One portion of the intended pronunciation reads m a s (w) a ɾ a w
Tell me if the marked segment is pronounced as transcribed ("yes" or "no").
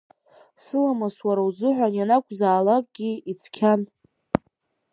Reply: yes